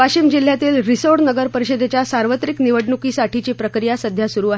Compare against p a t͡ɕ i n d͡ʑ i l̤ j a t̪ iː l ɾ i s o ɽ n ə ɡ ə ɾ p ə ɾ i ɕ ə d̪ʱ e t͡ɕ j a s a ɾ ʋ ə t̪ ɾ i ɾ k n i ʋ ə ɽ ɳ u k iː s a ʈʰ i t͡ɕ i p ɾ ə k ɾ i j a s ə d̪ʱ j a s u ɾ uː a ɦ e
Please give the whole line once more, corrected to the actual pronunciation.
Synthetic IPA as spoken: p a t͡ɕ i m d͡ʑ i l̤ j a t̪ iː l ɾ i s o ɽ n ə ɡ ə ɾ p ə ɾ i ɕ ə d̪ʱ e t͡ɕ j a s a ɾ ʋ ə t̪ ɾ i k n i ʋ ə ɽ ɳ u k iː s a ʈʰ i t͡ɕ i p ɾ ə k ɾ i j a s ə d̪ʱ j a s u ɾ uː a ɦ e